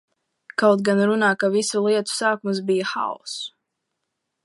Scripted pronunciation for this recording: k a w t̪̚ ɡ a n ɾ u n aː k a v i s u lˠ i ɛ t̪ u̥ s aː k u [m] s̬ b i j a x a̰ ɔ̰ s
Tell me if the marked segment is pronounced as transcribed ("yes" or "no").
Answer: yes